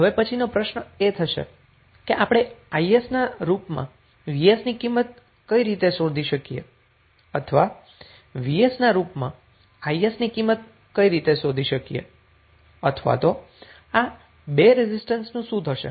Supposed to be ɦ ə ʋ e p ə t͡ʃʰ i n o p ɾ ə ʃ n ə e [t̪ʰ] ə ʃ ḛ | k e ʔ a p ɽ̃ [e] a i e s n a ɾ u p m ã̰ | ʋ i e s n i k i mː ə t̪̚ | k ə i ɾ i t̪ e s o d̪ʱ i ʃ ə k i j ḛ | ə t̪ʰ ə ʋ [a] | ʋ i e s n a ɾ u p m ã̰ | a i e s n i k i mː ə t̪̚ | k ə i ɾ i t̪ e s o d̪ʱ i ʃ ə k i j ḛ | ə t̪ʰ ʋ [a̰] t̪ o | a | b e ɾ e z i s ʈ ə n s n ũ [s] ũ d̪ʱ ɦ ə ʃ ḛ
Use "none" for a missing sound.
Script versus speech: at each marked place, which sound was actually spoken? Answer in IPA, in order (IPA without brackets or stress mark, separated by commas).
t̪ʰ, e, a, a̰, s